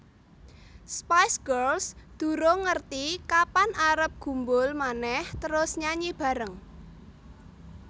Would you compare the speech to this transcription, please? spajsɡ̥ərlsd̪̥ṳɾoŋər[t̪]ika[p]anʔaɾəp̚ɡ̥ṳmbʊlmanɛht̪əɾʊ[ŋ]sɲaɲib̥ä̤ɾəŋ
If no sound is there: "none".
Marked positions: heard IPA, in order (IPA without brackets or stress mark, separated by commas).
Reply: t̪, p, none